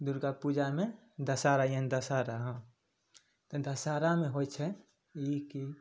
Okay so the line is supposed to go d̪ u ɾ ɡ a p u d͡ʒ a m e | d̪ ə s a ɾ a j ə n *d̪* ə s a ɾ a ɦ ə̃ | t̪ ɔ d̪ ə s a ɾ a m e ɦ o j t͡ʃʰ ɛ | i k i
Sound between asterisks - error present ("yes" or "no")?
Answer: no